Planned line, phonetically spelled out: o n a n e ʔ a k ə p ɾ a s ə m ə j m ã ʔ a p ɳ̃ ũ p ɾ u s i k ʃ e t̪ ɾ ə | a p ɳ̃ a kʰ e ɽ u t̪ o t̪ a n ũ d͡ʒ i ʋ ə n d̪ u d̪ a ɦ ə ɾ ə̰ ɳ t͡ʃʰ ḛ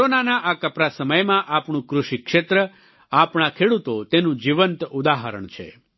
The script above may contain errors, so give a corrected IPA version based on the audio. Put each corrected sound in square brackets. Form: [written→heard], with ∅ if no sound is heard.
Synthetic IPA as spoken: o n a n [e→a] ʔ a k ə p ɾ a s ə m ə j m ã ʔ a p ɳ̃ ũ [p→k] ɾ u [s→ʃ] i k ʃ e t̪ ɾ ə | a p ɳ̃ a kʰ e ɽ u t̪ o t̪ [a→e] n ũ d͡ʒ i ʋ ə n [d̪→t̪] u d̪ a ɦ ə ɾ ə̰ ɳ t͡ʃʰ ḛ